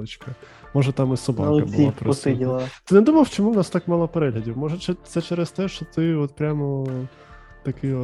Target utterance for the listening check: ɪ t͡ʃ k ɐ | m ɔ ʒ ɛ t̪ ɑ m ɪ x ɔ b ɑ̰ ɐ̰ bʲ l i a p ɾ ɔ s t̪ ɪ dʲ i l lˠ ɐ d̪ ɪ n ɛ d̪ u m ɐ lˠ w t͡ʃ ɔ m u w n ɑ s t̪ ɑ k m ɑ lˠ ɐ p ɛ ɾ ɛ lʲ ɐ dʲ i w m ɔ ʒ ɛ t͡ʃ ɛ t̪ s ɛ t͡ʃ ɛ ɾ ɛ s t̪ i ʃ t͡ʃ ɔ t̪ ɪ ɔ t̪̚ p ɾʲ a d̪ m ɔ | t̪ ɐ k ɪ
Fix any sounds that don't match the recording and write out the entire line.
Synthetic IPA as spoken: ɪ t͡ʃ k ɐ | m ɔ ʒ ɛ t̪ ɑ m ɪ s ɔ b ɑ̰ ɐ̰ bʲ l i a p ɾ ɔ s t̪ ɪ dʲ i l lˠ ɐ t̪ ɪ n ɛ d̪ u m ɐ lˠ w t͡ʃ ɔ m u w n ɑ s t̪ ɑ k m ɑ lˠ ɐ p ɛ ɾ ɛ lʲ ɐ dʲ i w m ɔ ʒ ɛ t͡ʃ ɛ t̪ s ɛ t͡ʃ ɛ ɾ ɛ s t̪ ɛ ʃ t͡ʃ ɔ t̪ ɪ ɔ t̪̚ p ɾʲ a m ɔ | t̪ ɐ k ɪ